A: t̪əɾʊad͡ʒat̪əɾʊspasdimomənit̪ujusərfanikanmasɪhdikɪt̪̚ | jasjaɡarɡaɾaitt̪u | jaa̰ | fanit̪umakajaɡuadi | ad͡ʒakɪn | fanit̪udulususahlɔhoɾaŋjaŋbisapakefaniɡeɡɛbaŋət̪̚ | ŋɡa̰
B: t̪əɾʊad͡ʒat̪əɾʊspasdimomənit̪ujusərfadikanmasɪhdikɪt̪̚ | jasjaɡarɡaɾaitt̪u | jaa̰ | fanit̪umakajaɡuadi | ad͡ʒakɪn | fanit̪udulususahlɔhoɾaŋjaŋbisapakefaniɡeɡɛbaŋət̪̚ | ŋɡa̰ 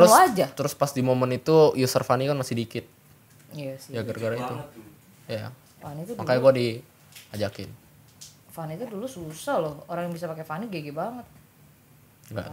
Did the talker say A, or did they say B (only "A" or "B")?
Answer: A